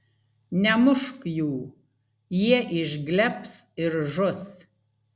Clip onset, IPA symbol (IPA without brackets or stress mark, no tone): nʲ